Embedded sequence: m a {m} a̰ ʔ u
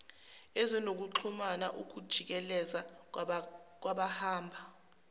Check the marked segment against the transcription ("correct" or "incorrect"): incorrect